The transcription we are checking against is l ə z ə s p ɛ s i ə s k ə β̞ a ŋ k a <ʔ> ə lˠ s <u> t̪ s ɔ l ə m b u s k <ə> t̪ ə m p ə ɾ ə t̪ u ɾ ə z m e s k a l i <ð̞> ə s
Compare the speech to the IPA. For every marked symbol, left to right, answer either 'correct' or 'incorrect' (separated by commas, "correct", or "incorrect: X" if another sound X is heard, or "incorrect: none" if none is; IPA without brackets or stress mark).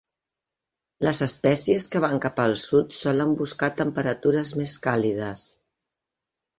incorrect: p, correct, incorrect: a, correct